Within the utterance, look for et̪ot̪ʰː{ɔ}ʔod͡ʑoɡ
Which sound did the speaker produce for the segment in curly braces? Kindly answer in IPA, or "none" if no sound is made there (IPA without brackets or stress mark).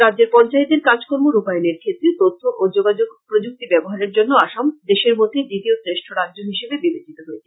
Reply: o